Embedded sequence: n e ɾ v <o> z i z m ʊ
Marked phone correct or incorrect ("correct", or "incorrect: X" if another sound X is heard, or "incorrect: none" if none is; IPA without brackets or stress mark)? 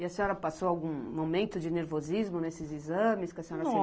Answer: correct